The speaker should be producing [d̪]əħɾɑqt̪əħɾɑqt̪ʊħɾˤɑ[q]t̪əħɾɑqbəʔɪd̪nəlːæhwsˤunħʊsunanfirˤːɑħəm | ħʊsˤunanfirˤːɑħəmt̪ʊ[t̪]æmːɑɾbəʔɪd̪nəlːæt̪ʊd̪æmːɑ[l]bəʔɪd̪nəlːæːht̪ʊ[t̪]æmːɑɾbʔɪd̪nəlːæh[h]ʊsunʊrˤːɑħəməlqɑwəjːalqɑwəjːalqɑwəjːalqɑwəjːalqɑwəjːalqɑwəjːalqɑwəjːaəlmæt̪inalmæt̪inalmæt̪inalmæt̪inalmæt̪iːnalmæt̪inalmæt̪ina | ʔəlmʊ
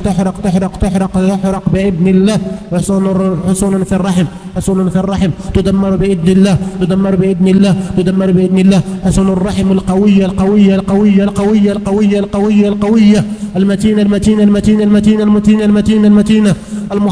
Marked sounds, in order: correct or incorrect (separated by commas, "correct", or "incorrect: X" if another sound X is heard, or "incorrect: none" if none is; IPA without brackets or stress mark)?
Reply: incorrect: t̪, correct, incorrect: d̪, incorrect: ɾ, incorrect: d̪, incorrect: ħ